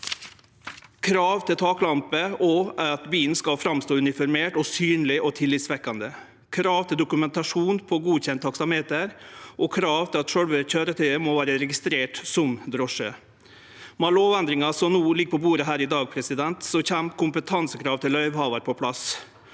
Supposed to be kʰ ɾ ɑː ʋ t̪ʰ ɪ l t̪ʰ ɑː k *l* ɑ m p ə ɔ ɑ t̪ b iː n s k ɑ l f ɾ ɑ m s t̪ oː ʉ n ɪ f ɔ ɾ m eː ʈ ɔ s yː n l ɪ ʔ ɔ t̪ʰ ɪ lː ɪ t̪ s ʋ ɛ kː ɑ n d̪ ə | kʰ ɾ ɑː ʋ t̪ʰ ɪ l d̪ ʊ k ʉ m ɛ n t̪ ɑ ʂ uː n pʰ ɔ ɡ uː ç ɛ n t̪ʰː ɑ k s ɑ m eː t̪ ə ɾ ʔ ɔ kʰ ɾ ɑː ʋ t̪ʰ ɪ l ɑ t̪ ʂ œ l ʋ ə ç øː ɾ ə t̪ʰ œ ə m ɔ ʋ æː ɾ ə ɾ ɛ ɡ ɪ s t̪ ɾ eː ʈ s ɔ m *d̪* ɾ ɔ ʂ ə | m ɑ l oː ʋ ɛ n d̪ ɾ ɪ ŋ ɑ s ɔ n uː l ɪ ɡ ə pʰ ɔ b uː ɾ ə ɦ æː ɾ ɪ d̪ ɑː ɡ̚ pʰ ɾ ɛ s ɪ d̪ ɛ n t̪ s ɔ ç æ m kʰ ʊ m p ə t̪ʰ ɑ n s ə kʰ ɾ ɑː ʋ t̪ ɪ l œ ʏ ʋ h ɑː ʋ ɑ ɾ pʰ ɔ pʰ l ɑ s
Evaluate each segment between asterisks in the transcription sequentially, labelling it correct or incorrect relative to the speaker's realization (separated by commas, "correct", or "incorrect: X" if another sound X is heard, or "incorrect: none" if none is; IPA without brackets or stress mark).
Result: correct, correct